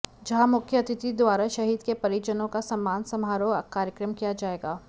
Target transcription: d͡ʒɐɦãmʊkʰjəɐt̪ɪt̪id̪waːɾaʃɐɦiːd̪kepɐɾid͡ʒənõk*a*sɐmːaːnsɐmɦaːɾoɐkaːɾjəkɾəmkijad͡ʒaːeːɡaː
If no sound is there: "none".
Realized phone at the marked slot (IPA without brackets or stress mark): a